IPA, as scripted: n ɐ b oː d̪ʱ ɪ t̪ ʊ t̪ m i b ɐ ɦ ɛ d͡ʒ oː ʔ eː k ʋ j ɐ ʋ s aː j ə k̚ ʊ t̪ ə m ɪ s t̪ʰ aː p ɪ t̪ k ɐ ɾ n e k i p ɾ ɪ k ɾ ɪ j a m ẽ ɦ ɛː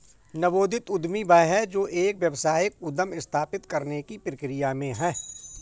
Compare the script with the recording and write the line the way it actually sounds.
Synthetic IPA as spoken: n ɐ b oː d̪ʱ ɪ t̪ ʊ d̪ m i b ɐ ɦ ɛ d͡ʒ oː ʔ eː k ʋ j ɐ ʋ s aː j ə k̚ ʊ d̪ ə m ɪ s t̪ʰ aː p ɪ t̪ k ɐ ɾ n e k i p ɾ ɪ k ɾ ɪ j a m ẽ ɦ ɛː